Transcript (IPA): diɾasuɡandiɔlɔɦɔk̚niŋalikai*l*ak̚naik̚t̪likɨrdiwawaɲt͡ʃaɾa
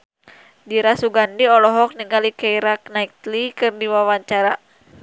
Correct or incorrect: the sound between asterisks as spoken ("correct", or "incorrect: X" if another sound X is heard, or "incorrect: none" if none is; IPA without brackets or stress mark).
incorrect: ɾ